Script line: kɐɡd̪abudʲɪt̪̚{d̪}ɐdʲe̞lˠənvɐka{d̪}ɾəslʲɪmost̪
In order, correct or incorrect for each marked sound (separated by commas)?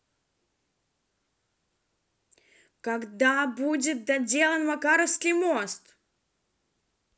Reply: correct, incorrect